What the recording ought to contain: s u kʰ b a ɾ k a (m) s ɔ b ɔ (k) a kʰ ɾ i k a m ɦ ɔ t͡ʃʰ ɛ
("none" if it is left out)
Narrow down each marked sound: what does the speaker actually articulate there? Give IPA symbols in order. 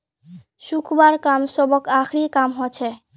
m, k

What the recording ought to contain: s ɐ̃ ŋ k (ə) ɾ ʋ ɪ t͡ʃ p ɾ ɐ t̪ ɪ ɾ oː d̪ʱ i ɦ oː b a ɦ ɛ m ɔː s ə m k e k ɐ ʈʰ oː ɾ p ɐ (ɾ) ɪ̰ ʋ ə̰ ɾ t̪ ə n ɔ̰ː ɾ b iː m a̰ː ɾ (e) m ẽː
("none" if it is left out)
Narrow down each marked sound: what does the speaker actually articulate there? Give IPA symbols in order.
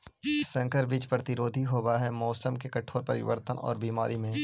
ə, ɾ, i

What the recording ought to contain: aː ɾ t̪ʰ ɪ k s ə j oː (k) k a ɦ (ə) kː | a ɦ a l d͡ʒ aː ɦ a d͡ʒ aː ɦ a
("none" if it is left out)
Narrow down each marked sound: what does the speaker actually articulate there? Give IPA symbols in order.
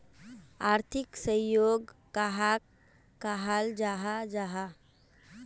ɡ, a

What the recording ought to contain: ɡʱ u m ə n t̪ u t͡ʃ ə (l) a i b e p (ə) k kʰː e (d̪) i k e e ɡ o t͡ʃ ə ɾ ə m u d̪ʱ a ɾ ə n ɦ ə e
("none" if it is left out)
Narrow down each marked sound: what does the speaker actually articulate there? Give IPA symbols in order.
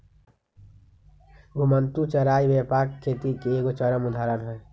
ɾ, a, t̪

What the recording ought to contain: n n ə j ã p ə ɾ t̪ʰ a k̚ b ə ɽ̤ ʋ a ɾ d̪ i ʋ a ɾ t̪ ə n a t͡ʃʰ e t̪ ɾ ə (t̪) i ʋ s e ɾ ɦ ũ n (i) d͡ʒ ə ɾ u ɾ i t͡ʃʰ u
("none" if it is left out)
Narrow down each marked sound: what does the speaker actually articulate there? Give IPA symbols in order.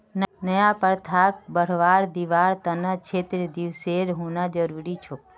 d̪, a

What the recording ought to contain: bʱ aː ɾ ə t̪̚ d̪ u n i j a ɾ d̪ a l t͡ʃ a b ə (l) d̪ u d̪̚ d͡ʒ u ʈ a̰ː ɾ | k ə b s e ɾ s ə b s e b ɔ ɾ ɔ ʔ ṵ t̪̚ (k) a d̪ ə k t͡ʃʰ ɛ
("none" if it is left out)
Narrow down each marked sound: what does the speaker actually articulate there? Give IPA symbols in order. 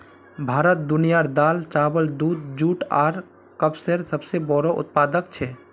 l, p

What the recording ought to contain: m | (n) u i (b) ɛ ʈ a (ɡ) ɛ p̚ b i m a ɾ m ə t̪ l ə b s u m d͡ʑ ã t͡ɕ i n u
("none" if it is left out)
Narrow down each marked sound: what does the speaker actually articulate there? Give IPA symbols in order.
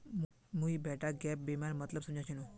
m, b, ɡ

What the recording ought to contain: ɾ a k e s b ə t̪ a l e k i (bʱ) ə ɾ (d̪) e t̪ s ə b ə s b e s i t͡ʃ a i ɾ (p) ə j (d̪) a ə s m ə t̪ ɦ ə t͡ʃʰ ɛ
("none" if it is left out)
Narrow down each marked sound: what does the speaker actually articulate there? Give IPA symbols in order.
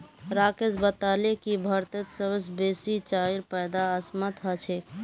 bʱ, t̪, p, d̪

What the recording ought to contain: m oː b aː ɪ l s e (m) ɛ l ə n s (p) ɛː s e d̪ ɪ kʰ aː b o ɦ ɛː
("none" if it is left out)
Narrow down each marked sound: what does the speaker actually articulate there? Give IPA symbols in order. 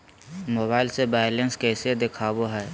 b, k

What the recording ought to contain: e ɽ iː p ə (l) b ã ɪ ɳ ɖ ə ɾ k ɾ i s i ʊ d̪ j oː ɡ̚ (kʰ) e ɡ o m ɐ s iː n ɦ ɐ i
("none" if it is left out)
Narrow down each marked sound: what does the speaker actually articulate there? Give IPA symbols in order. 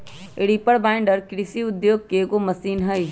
ɽ, k

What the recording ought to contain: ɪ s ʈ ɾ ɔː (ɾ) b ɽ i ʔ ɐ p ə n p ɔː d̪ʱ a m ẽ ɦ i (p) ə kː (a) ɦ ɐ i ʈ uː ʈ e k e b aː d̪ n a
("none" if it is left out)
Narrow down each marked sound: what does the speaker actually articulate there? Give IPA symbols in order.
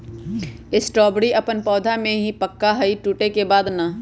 none, p, a

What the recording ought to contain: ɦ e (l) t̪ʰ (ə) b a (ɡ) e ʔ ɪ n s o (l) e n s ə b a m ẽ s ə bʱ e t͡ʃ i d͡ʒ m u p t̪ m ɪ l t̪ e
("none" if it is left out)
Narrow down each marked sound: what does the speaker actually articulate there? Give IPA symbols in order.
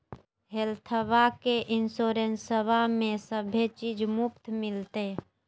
l, ə, k, ɾ

